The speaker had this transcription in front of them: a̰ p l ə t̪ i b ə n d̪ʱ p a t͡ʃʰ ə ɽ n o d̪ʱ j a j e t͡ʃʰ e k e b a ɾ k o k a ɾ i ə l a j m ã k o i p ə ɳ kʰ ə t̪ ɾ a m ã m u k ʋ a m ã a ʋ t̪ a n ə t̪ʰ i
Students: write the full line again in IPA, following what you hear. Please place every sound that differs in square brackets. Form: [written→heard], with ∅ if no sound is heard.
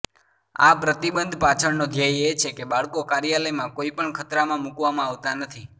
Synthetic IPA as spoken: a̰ p [l→ɾ] ə t̪ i b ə n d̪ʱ p a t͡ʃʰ ə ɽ n o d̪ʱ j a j e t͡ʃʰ e k e b a [ɾ→ɭ] k o k a ɾ [i→j] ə l [a→ə] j m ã k o i p ə ɳ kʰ ə t̪ ɾ a m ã m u k ʋ a m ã a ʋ t̪ a n ə t̪ʰ i